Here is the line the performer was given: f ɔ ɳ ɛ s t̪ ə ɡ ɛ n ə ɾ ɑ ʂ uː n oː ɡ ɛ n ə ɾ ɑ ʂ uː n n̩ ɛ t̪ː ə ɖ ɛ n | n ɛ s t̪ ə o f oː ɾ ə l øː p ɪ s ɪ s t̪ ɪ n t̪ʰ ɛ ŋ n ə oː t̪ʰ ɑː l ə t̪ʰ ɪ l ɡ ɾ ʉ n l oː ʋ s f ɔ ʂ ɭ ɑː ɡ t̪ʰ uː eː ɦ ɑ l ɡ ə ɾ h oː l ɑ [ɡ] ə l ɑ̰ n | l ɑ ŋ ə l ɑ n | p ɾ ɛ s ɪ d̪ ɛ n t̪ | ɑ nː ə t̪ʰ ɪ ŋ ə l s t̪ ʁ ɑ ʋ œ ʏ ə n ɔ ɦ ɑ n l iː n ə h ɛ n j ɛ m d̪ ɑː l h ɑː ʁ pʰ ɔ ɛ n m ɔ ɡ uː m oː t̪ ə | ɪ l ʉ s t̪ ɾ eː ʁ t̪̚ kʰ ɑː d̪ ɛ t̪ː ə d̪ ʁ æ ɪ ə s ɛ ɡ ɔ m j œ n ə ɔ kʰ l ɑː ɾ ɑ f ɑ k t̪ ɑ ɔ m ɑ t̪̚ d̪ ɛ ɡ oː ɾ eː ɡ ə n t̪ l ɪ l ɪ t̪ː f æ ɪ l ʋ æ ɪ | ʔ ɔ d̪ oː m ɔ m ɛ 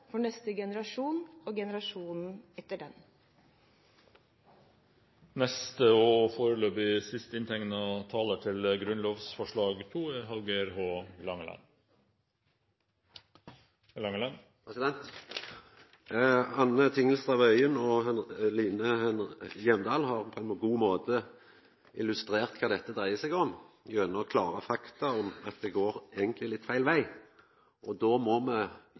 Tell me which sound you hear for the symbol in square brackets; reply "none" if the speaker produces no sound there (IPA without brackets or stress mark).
ŋ